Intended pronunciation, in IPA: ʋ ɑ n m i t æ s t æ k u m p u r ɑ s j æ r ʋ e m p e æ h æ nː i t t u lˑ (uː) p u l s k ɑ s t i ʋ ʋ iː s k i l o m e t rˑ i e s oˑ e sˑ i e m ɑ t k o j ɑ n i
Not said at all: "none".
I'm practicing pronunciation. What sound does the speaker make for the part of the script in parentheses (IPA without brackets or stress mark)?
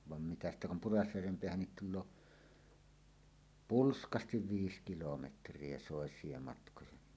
oː